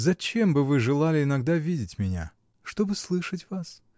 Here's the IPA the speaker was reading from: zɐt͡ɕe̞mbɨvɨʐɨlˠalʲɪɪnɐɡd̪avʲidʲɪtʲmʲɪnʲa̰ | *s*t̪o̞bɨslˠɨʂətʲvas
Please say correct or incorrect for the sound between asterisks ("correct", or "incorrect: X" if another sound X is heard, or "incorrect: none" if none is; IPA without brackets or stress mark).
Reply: incorrect: ʂ